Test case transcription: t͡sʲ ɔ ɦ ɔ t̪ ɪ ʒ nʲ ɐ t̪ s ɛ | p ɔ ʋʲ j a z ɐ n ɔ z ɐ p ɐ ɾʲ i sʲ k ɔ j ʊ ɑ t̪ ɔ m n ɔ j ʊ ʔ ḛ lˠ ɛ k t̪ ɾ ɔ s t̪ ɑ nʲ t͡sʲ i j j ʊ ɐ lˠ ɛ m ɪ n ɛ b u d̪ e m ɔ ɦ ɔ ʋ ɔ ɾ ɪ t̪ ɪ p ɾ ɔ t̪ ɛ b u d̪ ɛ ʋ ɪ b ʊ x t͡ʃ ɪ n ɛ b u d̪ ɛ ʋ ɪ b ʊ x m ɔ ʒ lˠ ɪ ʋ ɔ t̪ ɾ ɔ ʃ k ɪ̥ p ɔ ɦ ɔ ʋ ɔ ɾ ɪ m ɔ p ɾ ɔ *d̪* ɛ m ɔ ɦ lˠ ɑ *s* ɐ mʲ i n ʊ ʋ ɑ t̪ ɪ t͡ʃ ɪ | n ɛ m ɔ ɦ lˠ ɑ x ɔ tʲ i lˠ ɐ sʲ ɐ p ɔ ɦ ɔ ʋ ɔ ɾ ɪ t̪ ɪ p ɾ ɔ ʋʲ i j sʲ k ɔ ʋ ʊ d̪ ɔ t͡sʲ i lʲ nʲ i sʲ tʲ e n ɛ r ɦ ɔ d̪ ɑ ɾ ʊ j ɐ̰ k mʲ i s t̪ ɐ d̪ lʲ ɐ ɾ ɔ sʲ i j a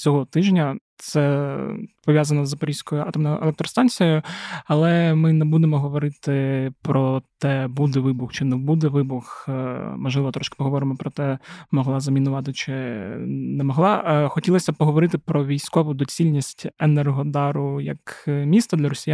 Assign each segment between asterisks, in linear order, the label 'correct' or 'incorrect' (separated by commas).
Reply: incorrect, incorrect